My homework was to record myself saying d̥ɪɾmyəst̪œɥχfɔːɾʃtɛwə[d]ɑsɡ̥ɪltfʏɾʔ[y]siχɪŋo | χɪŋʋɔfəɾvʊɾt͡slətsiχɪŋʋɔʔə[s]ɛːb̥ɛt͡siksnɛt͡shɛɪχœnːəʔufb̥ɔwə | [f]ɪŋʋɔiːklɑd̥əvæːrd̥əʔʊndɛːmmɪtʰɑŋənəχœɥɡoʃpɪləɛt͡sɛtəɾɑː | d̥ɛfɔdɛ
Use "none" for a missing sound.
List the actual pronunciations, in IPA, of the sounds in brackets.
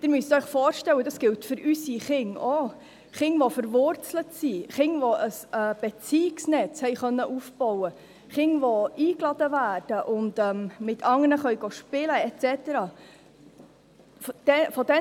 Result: d, y, s, χ

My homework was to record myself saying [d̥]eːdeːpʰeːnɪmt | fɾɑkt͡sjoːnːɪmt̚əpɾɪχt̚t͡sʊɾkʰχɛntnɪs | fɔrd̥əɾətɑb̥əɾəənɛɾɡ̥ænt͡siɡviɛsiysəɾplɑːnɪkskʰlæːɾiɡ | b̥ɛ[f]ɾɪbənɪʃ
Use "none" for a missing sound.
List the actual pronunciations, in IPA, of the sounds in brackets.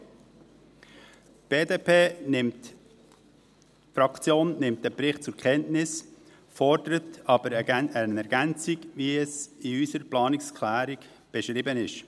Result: b̥, ʃ

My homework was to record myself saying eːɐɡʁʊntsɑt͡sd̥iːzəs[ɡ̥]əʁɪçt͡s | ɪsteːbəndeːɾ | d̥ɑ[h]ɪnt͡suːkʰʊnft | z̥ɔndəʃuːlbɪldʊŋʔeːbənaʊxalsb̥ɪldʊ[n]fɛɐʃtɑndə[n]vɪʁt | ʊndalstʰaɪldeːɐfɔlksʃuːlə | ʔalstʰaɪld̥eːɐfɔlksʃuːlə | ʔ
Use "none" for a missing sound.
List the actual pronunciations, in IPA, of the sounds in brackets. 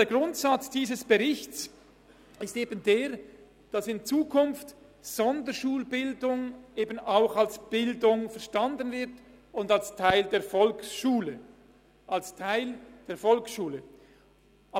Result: b̥, s, ŋ, n

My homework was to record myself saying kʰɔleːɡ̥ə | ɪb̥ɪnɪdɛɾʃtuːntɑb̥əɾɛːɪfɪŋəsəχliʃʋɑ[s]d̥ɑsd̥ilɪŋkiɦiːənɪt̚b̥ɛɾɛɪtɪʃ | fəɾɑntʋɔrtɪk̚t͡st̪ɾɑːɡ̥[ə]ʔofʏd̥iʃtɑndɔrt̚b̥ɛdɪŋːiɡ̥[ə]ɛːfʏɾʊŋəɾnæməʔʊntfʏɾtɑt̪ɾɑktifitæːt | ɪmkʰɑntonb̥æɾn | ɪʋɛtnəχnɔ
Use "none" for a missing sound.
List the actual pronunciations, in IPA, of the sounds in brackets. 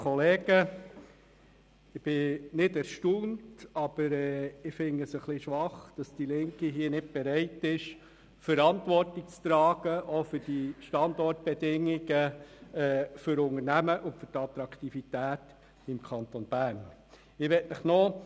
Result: χ, ə, ə

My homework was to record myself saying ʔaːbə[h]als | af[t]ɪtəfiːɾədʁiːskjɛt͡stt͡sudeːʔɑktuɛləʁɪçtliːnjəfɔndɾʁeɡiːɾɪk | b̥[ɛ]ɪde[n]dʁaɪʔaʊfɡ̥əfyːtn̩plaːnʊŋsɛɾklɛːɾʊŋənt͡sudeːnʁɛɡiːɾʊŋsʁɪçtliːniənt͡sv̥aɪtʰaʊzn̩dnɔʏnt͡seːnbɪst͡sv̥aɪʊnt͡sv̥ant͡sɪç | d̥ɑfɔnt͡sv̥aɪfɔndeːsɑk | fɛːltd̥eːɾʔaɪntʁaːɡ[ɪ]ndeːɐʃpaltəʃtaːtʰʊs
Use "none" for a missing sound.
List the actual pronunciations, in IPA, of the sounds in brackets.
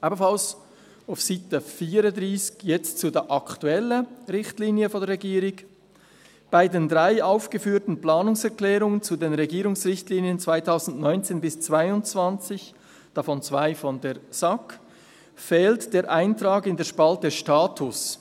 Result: f, s, a, n, ɪ

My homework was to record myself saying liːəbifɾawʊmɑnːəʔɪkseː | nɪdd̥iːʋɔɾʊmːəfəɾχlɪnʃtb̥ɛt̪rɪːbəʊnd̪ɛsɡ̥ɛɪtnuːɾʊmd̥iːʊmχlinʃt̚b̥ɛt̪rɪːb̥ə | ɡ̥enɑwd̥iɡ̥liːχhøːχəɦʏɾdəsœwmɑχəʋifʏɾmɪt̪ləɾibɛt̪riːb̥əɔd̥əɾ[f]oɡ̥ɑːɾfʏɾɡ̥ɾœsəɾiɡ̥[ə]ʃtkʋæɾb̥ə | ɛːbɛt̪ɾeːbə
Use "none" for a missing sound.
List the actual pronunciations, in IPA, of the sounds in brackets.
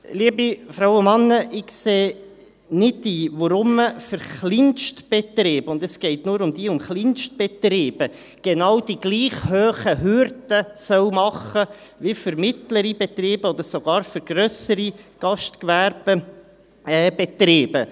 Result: s, ɑ

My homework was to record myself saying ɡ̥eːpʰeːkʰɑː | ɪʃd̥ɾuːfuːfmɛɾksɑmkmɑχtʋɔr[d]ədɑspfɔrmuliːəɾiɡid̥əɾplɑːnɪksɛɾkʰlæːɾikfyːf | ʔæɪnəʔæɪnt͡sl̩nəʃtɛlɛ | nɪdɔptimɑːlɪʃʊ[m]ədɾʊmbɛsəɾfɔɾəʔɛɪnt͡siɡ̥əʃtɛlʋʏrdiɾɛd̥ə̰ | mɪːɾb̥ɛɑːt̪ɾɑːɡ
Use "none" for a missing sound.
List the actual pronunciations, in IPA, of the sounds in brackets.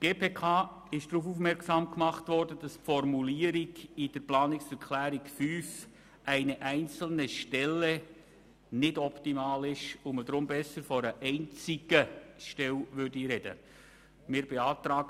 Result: d, m

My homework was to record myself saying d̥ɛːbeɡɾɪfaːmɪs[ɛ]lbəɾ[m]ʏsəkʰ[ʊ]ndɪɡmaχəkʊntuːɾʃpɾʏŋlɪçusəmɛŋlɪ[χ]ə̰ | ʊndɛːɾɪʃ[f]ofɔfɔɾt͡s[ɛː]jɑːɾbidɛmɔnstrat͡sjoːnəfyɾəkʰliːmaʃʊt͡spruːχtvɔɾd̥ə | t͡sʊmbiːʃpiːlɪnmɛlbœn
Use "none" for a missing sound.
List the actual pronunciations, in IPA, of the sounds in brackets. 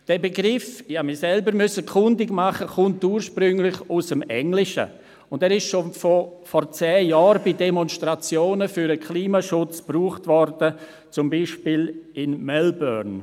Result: ɛ, m, ʊ, ʃ, ʃ, ɛː

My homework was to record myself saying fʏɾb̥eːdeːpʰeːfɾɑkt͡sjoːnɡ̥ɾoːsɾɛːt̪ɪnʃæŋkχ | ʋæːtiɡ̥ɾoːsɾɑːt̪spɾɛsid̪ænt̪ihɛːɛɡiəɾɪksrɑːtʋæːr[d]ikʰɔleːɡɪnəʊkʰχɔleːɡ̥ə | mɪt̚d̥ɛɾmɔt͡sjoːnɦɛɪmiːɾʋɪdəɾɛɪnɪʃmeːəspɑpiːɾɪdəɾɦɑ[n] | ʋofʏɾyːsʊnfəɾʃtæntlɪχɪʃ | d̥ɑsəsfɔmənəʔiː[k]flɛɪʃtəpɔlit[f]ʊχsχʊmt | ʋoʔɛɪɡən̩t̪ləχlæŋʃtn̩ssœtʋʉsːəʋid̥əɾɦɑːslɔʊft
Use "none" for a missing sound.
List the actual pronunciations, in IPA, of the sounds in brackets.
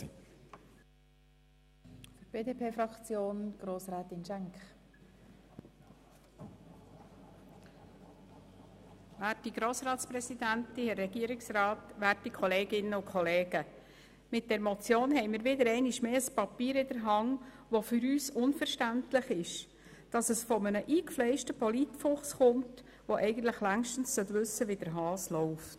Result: t, ŋ, k, f

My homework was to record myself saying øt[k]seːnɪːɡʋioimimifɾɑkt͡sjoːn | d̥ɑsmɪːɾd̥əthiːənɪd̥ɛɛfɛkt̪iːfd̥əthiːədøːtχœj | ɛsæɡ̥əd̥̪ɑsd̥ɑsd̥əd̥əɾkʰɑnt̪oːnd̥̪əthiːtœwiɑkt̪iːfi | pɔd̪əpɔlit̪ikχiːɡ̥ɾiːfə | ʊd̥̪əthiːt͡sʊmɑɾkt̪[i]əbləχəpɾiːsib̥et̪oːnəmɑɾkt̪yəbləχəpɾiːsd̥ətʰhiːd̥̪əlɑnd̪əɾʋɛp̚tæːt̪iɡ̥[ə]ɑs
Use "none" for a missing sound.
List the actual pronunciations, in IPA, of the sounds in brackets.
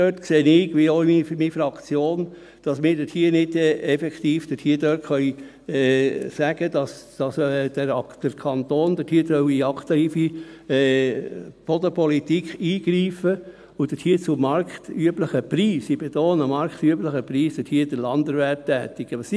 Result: k, y, ə

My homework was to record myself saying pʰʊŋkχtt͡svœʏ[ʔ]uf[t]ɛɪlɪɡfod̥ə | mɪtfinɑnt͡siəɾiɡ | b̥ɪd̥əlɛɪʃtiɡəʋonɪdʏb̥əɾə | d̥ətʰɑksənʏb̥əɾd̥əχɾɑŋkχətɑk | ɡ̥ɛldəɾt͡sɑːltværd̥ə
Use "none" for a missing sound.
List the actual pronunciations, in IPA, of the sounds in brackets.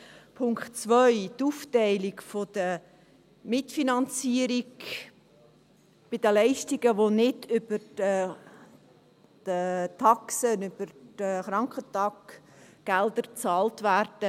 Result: t, t

